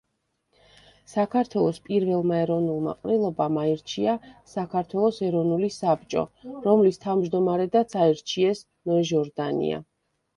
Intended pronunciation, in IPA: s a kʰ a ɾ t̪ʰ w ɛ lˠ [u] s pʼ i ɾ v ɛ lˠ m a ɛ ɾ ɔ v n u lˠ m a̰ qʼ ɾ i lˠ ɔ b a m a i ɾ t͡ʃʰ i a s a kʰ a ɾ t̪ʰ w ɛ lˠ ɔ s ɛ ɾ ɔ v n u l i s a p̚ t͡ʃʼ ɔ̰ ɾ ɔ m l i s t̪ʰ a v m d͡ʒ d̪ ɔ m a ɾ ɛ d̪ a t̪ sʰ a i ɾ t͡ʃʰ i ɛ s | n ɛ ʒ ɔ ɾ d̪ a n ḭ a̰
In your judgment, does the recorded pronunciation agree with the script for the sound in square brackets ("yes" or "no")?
no